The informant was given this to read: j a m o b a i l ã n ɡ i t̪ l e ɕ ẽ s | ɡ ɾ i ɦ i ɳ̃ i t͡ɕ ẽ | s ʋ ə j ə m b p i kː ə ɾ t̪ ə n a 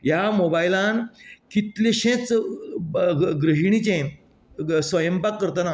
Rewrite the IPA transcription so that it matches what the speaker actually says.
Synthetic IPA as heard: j a m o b a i l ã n k i t̪ l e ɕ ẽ t͡s | ɡ ɾ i ɦ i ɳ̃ i t͡ɕ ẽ | s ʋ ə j ə m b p a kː ə ɾ t̪ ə n a